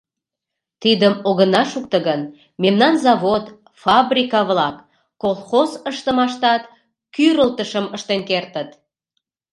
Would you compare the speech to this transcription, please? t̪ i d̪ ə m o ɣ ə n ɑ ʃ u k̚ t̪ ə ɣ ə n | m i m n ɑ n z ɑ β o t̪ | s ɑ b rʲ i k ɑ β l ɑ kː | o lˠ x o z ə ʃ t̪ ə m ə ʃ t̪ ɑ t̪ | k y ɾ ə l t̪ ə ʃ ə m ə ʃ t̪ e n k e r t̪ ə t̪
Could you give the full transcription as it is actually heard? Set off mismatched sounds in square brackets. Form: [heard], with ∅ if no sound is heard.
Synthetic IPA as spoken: t̪ i d̪ ə m o ɣ ə n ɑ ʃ u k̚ t̪ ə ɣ ə n | m [e] m n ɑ n z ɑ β o t̪ | [f] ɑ b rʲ i k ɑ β l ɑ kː | o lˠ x o z ə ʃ t̪ ə m [ɑ] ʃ t̪ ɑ t̪ | k y ɾ ə l t̪ ə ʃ ə m ə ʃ t̪ e n k e r t̪ ə t̪